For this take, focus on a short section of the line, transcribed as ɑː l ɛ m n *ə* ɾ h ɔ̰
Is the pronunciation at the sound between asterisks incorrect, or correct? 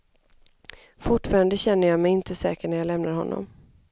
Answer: incorrect